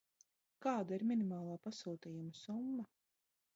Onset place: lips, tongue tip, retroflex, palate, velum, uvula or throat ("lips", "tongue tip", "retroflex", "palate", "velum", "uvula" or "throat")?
velum